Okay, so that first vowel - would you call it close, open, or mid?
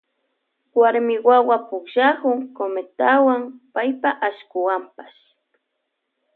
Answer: open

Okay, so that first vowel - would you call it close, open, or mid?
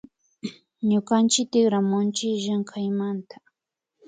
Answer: close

